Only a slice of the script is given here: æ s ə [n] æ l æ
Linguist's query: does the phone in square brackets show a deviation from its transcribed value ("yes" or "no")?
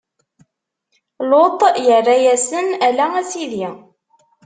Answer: no